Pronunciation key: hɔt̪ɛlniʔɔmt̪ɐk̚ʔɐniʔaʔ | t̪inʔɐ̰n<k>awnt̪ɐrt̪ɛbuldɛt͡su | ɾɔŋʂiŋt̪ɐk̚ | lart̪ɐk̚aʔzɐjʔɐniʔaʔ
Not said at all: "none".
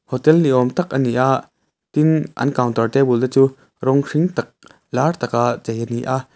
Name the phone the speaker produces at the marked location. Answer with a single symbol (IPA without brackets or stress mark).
k